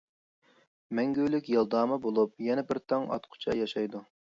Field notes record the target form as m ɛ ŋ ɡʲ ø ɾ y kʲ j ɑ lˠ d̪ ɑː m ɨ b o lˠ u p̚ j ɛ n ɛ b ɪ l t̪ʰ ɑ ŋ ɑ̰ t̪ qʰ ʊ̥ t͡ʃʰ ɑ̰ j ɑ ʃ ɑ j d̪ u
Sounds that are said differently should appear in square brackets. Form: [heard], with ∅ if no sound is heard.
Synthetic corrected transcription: m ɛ ŋ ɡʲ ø [l] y kʲ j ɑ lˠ d̪ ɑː m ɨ b o lˠ u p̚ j ɛ n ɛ b ɪ [ɾ] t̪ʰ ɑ ŋ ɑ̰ t̪ qʰ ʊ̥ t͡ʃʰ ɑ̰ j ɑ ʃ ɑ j d̪ u